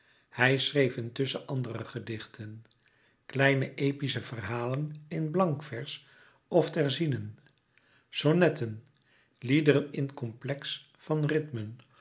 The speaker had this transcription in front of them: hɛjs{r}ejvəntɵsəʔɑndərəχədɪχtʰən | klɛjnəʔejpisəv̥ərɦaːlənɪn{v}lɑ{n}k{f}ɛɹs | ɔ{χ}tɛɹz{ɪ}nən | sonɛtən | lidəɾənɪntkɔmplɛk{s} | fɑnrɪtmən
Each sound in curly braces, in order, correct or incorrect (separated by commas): correct, incorrect, incorrect, correct, incorrect, incorrect, correct